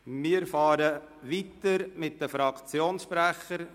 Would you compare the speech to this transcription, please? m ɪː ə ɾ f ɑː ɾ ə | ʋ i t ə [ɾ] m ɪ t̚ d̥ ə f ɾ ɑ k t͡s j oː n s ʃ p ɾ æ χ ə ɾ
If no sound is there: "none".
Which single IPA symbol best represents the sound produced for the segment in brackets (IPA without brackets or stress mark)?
ɾ